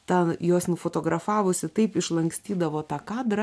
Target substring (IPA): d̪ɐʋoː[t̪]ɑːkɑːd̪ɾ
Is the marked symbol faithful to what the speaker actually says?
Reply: yes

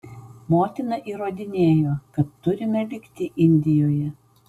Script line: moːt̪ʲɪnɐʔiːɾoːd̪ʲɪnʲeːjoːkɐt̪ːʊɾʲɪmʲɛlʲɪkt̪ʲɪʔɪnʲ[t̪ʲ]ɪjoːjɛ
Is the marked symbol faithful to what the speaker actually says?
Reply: no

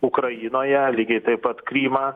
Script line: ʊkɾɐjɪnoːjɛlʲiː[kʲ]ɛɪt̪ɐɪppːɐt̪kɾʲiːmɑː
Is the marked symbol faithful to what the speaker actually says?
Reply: no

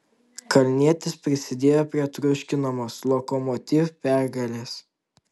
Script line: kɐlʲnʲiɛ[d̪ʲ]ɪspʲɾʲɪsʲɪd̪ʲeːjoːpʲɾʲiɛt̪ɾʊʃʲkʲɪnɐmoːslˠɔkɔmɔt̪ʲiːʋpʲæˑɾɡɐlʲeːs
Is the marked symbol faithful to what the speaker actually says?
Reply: no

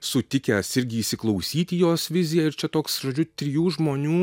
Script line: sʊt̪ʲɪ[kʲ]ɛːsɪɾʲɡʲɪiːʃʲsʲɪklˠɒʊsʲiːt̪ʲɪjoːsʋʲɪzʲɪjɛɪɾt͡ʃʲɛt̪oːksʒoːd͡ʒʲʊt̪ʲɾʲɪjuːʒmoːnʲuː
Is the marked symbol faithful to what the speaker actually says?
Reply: yes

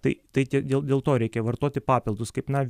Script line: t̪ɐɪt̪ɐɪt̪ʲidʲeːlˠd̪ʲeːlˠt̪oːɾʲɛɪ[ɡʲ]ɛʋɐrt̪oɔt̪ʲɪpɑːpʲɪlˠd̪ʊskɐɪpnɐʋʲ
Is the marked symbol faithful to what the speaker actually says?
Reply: no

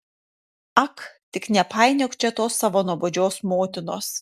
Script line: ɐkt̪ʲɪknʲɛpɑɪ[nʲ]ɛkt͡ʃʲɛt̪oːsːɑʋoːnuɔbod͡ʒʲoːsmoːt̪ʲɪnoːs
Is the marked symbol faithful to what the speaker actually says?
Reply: yes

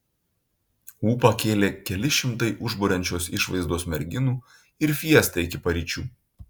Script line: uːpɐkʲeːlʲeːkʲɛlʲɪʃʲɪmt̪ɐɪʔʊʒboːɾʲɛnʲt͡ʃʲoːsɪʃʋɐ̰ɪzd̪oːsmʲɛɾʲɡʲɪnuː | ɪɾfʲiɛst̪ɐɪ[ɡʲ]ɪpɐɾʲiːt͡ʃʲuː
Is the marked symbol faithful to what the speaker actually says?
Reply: no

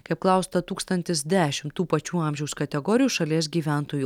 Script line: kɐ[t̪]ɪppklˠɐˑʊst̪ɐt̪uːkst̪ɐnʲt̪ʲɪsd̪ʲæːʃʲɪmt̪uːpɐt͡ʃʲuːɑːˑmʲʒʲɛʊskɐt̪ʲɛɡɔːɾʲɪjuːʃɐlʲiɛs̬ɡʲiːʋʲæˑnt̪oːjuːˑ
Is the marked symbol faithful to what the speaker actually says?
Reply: no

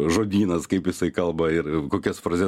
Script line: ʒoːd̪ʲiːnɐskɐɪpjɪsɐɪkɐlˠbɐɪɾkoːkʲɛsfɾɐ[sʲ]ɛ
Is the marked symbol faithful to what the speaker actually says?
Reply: no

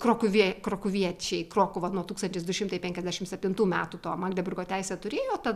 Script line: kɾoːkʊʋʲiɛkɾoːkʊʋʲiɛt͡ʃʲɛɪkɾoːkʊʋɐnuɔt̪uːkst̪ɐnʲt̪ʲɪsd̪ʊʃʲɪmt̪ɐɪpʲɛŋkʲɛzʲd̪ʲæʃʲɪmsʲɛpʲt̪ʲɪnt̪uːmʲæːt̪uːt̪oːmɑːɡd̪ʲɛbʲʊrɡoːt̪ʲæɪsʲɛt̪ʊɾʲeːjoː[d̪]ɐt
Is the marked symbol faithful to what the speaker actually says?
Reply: no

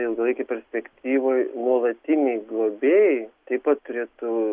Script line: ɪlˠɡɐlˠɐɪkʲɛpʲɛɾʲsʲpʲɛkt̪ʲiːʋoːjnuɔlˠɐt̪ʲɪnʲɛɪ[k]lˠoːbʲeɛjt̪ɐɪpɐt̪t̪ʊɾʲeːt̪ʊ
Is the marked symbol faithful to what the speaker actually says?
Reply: no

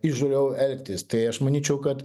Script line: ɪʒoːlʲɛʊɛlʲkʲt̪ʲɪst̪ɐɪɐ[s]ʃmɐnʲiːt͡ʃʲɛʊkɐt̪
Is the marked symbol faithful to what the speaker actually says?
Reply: no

